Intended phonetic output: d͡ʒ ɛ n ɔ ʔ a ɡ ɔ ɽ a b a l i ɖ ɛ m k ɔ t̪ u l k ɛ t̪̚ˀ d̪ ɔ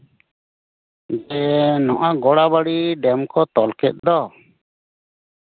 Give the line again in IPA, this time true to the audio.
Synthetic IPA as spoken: d͡ʒ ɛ n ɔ ʔ a ɡ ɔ ɽ a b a ɽ i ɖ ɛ m k ɔ t̪ ɔ l k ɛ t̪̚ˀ d̪ ɔ